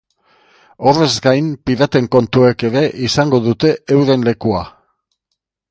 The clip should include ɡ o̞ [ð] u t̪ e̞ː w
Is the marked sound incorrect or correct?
correct